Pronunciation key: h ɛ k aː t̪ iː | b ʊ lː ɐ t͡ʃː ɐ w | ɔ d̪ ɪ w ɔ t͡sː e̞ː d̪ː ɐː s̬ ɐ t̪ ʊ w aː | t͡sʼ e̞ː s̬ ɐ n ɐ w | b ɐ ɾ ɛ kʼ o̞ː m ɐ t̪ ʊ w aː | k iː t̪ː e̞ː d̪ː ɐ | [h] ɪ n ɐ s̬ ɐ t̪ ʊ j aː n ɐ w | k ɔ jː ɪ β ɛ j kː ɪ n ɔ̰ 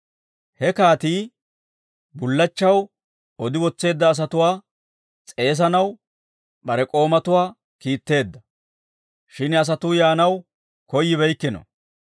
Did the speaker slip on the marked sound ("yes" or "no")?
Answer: yes